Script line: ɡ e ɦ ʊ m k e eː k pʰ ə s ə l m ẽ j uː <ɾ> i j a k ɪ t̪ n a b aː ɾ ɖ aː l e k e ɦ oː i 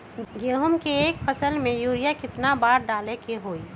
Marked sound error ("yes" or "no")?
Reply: no